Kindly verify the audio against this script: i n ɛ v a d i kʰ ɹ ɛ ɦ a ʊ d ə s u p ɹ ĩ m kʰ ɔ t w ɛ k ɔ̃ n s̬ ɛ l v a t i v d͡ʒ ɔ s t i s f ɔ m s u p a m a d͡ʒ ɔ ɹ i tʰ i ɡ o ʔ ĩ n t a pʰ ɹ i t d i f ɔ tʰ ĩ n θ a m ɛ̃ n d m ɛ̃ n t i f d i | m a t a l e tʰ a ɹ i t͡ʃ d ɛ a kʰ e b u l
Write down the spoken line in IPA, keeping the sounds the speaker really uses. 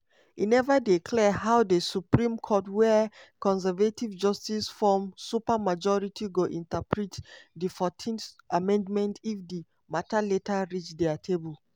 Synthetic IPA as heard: i n ɛ v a d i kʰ l ɛ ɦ a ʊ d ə s u p ɹ ĩ m kʰ ɔ t w ɛ k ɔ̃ n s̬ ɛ v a t i v d͡ʒ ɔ s t i s f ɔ m s u p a m a d͡ʒ ɔ ɹ i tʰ i ɡ o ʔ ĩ n t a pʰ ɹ i t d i f ɔ tʰ ĩ n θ a m ɛ̃ n d m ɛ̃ n t i f d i | m a t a l e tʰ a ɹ i t͡ʃ d ɛ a tʰ e b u l